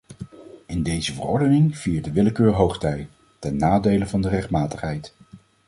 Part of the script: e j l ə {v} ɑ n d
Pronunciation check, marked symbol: correct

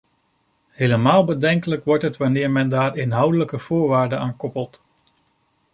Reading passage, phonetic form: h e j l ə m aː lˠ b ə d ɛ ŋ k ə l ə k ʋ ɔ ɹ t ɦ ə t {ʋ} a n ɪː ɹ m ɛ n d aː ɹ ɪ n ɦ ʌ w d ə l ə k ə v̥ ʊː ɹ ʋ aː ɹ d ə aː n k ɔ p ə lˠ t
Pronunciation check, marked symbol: correct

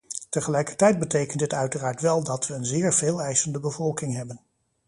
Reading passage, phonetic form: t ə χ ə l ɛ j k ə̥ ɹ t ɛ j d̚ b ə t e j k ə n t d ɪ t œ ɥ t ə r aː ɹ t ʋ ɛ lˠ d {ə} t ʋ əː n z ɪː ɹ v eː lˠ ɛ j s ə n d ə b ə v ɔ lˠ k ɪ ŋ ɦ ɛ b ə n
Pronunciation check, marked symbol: incorrect: ɑ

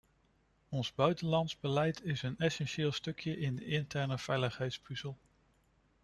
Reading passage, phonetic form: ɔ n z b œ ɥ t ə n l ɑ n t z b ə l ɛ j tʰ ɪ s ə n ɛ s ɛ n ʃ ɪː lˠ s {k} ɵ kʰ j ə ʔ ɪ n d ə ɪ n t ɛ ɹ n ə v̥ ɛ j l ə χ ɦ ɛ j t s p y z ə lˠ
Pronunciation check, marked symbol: incorrect: t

